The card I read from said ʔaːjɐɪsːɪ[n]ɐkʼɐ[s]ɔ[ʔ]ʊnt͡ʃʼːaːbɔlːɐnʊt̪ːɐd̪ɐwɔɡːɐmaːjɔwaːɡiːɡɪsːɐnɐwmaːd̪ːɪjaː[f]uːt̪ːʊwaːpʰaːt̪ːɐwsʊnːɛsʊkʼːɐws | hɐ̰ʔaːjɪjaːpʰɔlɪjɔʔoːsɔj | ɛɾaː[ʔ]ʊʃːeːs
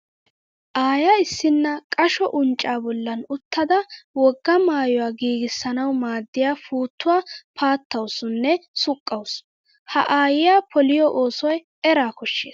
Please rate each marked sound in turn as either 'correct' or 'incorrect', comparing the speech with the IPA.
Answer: incorrect: nː, incorrect: ʃ, correct, correct, incorrect: k

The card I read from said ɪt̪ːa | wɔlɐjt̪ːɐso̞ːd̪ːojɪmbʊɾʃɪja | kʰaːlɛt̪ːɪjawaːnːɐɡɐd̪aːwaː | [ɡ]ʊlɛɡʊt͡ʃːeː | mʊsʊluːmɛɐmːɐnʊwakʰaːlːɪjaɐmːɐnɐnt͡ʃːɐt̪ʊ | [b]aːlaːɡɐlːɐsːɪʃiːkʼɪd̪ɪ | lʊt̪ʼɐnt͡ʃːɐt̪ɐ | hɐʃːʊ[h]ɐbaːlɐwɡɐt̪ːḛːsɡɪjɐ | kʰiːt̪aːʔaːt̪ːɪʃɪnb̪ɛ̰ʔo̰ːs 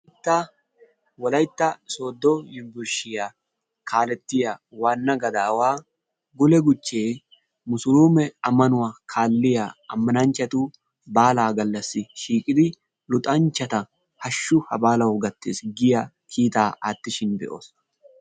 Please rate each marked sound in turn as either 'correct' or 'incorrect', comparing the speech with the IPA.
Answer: correct, correct, correct

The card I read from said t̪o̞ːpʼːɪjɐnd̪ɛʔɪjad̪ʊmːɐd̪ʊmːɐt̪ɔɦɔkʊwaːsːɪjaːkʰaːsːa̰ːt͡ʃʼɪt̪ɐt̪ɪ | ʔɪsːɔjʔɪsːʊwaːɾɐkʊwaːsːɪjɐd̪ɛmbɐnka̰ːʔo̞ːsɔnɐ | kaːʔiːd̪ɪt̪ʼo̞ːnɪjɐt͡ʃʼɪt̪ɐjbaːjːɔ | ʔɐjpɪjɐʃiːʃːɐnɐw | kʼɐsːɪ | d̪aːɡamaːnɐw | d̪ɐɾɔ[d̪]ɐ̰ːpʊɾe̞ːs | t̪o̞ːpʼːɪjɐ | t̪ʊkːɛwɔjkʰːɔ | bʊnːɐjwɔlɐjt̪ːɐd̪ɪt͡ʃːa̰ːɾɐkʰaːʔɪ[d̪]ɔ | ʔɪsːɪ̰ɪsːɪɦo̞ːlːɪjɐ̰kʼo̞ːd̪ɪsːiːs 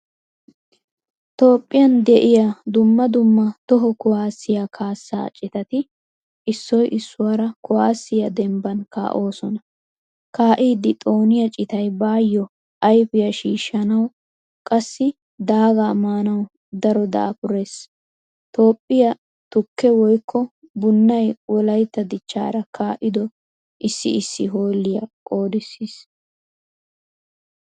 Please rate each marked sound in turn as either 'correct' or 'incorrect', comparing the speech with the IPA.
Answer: correct, correct

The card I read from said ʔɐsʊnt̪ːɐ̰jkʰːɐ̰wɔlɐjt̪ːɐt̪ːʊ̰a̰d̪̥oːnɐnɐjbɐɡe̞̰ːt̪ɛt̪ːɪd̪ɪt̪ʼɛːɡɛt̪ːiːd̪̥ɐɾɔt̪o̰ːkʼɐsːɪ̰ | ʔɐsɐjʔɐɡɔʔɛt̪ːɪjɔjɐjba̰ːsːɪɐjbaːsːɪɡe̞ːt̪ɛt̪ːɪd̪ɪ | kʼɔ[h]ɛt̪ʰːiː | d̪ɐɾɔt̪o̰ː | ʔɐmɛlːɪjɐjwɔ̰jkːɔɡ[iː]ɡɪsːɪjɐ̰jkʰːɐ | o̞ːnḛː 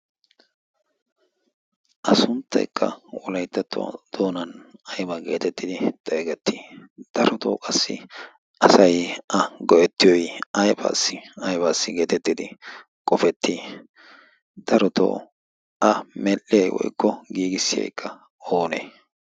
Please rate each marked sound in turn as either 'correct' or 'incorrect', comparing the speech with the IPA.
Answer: incorrect: f, correct

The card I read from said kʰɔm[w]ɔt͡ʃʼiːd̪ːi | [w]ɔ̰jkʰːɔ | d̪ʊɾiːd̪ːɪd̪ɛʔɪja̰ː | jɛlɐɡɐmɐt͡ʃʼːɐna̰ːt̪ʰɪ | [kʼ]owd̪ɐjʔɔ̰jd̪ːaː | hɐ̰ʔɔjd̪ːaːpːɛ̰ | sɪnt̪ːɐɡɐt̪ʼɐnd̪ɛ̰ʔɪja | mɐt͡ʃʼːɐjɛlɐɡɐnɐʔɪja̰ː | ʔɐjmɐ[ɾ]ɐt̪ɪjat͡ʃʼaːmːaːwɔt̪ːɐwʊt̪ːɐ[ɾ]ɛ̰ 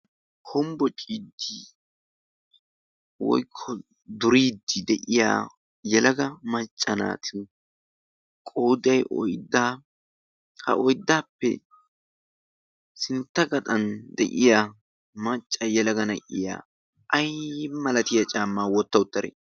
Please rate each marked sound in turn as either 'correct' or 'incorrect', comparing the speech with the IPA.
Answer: incorrect: b, correct, correct, incorrect: l, correct

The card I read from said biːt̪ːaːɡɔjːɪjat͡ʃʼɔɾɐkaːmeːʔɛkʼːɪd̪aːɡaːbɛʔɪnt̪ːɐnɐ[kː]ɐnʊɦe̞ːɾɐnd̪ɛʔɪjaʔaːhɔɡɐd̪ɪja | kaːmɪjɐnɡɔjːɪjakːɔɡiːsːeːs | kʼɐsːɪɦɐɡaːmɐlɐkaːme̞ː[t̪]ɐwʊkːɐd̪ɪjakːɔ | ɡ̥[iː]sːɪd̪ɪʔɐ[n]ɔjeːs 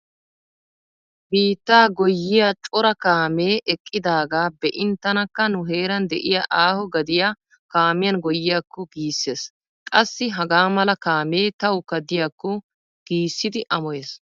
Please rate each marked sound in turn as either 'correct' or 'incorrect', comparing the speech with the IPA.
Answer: correct, correct, correct, incorrect: m

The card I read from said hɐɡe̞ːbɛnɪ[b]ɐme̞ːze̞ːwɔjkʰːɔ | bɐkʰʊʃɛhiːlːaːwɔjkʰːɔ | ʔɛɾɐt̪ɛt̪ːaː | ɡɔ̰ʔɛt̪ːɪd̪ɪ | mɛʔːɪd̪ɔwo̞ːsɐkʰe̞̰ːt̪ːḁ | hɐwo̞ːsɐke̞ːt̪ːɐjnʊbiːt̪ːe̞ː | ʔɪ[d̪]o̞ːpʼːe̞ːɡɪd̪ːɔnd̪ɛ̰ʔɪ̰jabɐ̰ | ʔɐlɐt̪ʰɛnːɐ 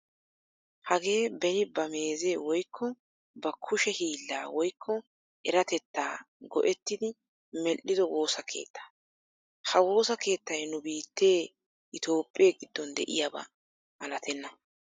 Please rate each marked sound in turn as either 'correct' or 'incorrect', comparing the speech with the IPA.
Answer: correct, incorrect: t̪

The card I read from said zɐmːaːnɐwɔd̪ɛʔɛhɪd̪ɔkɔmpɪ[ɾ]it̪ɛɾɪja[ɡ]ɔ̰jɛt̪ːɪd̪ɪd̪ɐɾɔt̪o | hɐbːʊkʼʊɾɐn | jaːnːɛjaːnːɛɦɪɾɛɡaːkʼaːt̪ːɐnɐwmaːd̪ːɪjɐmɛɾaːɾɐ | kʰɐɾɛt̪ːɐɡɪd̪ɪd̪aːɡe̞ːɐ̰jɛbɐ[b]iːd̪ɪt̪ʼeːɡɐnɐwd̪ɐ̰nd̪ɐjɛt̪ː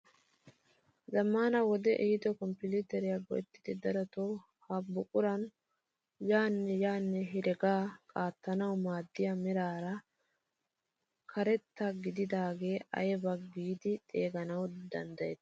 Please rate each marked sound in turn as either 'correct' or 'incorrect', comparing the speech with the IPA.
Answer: incorrect: l, correct, incorrect: ɡ

